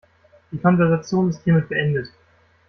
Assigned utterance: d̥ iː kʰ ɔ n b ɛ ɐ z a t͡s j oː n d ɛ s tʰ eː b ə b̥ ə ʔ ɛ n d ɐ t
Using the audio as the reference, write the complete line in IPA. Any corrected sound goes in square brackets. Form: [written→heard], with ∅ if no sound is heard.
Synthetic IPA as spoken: d̥ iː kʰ ɔ n [b→v] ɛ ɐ z a t͡s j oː n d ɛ s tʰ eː [b→m] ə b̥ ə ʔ ɛ n d [ɐ→ə] t